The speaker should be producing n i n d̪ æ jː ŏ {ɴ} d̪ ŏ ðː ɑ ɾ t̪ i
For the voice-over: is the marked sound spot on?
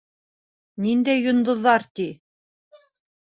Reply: no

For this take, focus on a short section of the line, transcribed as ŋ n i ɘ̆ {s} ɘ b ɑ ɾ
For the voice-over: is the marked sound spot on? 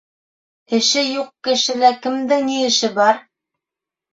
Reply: no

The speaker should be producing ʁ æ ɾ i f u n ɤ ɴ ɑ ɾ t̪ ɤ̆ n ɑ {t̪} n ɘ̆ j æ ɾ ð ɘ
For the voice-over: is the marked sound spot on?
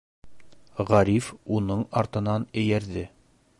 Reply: no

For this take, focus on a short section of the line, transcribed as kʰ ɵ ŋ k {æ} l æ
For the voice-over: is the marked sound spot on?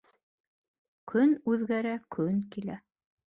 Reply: no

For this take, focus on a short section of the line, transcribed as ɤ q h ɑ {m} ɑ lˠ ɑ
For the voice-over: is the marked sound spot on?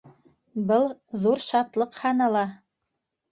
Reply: no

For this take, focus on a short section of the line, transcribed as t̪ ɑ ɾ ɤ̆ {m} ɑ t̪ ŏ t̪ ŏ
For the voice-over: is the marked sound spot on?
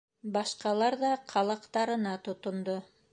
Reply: no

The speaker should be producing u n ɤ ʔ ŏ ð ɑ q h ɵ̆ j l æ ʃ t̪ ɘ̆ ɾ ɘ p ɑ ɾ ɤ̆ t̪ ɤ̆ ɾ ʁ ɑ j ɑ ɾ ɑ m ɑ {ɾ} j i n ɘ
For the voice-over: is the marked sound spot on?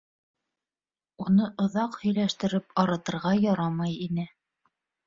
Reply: no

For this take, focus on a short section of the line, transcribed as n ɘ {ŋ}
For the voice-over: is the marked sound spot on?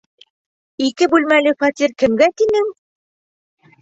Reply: yes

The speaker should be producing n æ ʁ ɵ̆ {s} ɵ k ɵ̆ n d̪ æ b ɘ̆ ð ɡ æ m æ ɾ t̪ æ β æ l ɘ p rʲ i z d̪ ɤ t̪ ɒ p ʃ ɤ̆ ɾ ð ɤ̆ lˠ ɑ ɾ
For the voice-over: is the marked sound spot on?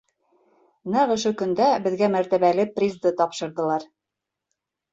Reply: no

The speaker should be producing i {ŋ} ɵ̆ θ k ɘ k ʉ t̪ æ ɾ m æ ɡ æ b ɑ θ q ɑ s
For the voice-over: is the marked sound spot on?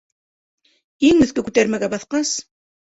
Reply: yes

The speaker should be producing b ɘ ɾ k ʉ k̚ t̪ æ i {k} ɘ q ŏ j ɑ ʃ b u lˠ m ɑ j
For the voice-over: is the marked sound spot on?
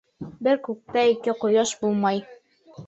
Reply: yes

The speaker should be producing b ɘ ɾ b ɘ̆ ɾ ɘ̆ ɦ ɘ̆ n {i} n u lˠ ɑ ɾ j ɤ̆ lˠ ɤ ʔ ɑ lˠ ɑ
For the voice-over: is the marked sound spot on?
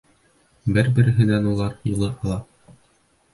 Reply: no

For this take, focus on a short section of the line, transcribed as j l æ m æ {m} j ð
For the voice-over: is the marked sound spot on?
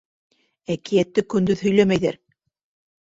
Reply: no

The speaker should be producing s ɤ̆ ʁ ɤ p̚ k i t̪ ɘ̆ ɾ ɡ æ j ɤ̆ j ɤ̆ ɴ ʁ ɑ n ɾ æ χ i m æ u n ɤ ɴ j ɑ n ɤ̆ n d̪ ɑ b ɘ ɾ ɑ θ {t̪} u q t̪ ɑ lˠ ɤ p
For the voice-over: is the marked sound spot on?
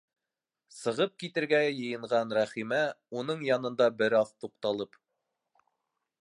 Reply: yes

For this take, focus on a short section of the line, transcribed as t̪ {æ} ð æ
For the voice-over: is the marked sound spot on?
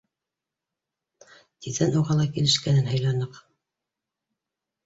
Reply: no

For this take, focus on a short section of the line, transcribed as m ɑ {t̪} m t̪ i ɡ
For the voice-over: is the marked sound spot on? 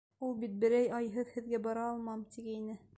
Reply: no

